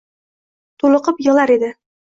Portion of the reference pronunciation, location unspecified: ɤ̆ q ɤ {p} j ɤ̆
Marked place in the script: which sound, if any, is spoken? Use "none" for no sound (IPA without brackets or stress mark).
p